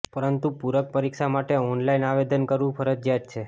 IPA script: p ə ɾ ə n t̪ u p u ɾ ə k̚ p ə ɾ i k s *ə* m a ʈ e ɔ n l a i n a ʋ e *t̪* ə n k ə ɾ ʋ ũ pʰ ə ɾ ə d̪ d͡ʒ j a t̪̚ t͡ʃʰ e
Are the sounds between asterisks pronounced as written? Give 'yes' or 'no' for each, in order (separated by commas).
no, no